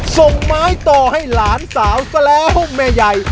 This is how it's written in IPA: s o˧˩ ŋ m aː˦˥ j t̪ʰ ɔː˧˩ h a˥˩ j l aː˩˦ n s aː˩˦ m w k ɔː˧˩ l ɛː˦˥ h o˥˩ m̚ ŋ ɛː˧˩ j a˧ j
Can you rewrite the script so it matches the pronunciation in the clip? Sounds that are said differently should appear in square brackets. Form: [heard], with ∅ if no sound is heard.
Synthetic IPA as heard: s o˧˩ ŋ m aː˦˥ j [t̪] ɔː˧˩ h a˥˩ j l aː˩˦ n s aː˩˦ [∅] w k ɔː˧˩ l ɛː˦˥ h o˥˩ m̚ [m] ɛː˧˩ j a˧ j